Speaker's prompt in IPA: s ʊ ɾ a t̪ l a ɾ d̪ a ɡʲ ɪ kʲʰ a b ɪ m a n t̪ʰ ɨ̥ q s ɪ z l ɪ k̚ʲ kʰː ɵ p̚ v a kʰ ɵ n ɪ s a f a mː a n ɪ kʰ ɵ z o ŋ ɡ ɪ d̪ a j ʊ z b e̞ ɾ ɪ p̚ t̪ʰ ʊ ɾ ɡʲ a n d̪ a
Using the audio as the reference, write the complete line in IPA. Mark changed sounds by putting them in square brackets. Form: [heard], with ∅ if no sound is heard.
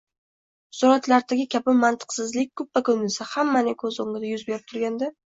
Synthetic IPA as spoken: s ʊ ɾ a t̪ l a ɾ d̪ a ɡʲ ɪ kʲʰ a b ɪ m a n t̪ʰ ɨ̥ q s ɪ z l ɪ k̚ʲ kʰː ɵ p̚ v a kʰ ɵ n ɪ s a [h] a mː a n ɪ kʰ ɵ z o ŋ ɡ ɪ d̪ a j ʊ z b e̞ ɾ ɪ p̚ t̪ʰ ʊ ɾ ɡʲ a n d̪ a